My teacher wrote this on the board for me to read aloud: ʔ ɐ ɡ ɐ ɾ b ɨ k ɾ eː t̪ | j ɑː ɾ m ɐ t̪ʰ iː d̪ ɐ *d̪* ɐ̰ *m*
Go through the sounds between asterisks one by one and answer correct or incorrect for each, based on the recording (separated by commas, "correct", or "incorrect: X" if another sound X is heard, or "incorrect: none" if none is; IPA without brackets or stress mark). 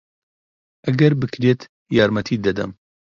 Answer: correct, correct